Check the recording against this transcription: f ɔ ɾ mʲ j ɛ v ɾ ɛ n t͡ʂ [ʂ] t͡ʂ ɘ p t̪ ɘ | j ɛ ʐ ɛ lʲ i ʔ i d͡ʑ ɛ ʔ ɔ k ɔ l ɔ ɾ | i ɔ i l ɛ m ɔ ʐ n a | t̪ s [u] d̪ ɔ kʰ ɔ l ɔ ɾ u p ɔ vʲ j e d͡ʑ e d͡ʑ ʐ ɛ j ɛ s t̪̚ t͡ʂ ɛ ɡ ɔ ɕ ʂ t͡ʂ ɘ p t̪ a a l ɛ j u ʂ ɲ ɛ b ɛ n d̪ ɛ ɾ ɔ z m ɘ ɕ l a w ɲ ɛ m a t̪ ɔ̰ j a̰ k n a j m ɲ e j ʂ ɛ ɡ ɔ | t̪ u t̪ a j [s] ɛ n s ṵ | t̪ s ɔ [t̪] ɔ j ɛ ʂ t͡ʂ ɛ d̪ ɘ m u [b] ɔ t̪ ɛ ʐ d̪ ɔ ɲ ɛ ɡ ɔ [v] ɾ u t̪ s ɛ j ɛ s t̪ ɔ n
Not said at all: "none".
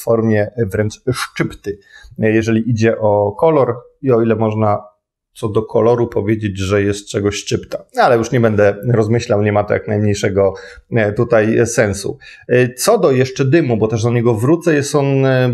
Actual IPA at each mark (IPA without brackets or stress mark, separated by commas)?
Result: ʂ, ɔ, s, d̪, b, v